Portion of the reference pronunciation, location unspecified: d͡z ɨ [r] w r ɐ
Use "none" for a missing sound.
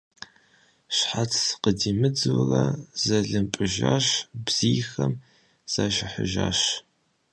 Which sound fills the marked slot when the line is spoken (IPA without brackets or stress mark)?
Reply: none